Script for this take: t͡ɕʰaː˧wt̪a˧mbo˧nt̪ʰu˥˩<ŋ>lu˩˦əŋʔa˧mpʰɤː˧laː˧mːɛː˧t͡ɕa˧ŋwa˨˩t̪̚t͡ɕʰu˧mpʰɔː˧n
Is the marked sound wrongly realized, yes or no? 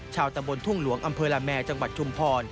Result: no